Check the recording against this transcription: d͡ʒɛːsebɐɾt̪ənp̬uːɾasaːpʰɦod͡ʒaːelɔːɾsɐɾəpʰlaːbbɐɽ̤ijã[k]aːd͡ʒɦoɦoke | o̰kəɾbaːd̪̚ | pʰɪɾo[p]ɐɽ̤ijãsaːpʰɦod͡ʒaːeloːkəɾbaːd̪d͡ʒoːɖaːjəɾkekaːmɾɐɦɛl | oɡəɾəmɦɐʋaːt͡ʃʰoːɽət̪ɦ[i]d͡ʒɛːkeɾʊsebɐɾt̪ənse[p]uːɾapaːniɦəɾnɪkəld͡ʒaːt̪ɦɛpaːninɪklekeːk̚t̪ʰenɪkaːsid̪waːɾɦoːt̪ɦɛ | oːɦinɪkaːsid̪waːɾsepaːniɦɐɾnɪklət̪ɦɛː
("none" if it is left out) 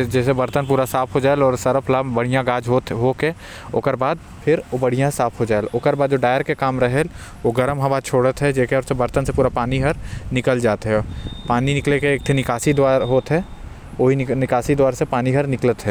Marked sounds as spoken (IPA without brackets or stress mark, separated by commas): ɡ, b, ɛ, p